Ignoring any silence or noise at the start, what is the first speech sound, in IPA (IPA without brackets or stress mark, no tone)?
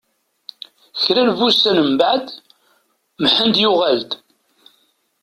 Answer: ç